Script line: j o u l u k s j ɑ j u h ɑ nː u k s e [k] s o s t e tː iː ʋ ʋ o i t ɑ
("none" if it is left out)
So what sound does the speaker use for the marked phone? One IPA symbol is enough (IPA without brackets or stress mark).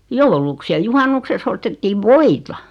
k